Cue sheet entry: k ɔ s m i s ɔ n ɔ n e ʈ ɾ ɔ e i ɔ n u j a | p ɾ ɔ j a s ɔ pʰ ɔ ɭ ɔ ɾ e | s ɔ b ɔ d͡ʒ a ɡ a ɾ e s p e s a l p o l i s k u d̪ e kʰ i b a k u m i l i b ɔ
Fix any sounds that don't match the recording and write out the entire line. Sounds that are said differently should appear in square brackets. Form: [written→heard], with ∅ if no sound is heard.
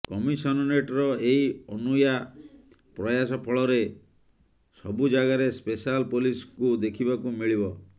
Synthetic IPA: k ɔ [s→∅] m i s ɔ n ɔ n e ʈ ɾ ɔ e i ɔ n u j a | p ɾ ɔ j a s ɔ pʰ ɔ ɭ ɔ ɾ e | s ɔ b [ɔ→u] d͡ʒ a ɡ a ɾ e s p e s a l p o l i s k u d̪ e kʰ i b a k u m i [l→ɭ] i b ɔ